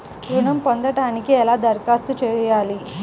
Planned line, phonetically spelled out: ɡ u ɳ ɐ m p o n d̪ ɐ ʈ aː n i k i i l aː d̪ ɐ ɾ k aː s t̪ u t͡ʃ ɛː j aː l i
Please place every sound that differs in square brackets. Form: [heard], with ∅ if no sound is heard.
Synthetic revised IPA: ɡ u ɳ ɐ m p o n d̪ ɐ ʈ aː n i k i [ɛ] l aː d̪ ɐ ɾ k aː s t̪ u t͡ʃ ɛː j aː l i